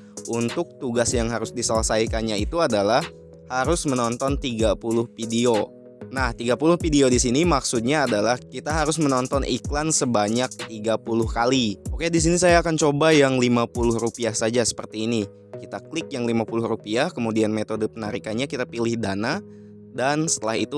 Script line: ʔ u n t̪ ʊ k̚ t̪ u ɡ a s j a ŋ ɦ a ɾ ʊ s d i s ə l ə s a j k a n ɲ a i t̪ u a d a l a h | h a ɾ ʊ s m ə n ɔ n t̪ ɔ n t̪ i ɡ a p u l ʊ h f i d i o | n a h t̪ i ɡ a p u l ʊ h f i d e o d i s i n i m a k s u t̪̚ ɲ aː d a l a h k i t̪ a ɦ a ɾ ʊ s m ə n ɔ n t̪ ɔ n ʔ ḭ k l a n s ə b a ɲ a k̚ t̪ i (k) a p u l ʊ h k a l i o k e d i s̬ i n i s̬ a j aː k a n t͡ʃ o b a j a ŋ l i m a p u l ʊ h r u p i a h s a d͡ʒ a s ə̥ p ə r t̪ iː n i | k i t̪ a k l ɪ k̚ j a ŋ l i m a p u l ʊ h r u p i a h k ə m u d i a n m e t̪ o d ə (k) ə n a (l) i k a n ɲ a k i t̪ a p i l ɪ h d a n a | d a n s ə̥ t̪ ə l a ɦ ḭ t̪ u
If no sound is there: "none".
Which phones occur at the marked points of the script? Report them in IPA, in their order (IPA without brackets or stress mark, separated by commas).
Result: ɡ, p, ɾ